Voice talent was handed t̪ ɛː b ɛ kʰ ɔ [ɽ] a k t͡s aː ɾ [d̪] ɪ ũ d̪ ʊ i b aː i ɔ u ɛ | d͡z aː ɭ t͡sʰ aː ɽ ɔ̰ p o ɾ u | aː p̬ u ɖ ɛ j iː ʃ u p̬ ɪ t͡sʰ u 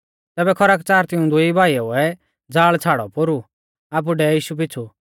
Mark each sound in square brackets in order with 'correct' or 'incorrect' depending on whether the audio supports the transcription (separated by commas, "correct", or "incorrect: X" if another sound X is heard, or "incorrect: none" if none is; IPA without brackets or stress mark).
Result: incorrect: ɾ, incorrect: t̪